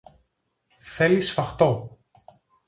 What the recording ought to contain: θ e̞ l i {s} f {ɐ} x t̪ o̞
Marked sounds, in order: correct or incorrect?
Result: correct, correct

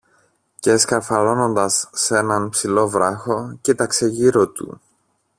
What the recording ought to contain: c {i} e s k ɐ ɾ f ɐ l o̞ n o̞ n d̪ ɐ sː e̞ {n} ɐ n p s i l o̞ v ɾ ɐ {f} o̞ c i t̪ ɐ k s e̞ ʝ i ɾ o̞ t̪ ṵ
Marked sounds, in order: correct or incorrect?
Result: incorrect: e, correct, incorrect: x

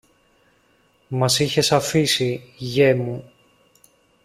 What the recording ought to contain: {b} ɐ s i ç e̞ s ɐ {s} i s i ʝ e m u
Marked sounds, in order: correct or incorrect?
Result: incorrect: m, incorrect: f

